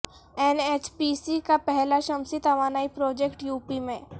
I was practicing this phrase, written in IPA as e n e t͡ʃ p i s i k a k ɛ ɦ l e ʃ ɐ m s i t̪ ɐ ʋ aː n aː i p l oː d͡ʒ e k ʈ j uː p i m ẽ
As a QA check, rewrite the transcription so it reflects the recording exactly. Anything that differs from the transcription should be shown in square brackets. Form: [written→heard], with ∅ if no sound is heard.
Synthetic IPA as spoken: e n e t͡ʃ p i s i k a [k→p] ɛ ɦ l [e→a] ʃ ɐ m s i t̪ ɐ ʋ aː n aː i p [l→ɾ] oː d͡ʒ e k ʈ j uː p i m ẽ